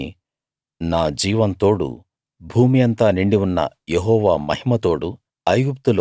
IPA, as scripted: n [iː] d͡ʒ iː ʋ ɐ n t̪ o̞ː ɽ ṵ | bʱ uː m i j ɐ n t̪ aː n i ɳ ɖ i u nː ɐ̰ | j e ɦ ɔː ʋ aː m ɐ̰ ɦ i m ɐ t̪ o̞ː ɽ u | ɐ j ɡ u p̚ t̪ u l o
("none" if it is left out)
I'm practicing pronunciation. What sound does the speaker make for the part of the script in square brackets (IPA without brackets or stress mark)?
aː